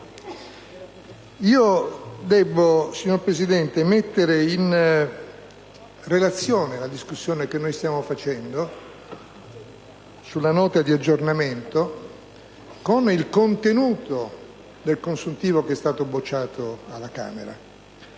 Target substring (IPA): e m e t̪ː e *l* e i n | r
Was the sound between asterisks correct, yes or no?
no